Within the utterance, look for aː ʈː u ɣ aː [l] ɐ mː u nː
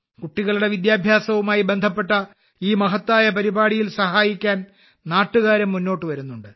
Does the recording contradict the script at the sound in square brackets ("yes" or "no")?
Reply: yes